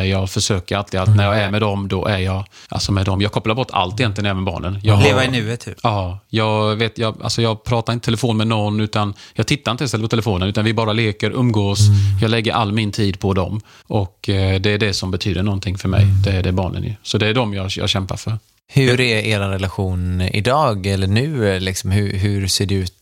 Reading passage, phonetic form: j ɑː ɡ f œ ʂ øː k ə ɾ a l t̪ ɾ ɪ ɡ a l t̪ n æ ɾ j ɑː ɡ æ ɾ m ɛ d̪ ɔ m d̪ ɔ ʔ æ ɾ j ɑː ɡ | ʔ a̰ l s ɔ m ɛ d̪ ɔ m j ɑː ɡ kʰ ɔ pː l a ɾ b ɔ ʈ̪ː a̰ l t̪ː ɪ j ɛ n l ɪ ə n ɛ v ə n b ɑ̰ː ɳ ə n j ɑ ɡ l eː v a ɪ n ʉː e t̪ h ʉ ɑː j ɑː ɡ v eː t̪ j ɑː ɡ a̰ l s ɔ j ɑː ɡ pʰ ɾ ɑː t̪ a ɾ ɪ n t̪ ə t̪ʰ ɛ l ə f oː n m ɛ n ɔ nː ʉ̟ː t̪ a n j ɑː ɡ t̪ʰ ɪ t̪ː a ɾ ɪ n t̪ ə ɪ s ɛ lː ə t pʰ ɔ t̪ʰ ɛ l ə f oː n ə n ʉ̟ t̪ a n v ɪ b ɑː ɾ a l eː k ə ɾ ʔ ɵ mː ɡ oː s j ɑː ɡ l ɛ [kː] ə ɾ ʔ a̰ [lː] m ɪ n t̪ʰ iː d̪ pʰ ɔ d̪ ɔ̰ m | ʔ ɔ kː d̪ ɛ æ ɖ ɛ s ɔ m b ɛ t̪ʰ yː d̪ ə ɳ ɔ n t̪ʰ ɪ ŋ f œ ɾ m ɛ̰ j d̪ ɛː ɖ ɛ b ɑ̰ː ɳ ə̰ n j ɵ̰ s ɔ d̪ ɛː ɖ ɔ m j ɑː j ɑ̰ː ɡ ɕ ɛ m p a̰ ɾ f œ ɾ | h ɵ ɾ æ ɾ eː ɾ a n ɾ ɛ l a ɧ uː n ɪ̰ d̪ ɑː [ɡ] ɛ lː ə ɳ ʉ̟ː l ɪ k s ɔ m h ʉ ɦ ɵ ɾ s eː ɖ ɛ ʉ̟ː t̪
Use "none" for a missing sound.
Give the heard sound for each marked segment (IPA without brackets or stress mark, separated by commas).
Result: ɡː, lː, ɡ